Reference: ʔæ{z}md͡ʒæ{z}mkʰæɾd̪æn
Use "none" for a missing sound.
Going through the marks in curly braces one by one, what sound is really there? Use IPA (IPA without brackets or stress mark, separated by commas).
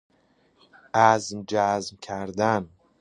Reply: z, z